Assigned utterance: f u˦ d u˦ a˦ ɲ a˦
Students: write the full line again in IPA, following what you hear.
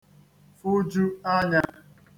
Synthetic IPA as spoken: f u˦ d͡ʒ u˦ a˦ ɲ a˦